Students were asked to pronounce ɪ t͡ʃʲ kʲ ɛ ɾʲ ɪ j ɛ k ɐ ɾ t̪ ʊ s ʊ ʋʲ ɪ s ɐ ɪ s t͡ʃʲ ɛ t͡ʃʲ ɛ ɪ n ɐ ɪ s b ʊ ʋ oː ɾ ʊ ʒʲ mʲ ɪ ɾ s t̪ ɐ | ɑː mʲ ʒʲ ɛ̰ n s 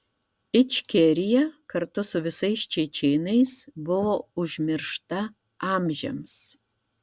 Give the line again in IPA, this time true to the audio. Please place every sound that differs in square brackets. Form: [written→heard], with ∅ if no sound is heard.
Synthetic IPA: ɪ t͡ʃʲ kʲ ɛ ɾʲ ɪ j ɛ k ɐ ɾ t̪ ʊ s ʊ ʋʲ ɪ s ɐ ɪ s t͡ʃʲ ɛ t͡ʃʲ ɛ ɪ n ɐ ɪ s b ʊ ʋ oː [ɾ→∅] ʊ ʒʲ mʲ ɪ ɾ [s→ʃ] t̪ ɐ | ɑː mʲ ʒʲ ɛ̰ [n→m] s